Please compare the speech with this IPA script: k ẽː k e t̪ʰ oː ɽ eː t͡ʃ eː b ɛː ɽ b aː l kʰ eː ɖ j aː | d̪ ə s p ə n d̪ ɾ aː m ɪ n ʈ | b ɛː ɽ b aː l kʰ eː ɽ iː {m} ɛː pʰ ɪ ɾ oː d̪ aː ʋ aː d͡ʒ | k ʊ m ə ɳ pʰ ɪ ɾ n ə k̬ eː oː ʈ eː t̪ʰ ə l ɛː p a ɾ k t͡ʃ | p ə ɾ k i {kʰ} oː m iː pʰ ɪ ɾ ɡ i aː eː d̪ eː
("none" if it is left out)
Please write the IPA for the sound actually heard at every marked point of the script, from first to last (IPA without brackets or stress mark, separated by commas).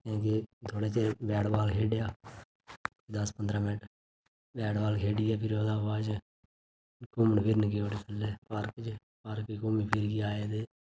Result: none, k